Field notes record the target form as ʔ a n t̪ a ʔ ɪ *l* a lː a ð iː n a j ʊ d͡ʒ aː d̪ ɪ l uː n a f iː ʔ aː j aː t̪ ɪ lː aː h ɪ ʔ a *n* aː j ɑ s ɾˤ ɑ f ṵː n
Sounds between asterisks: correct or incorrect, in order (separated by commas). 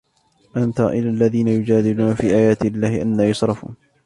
correct, incorrect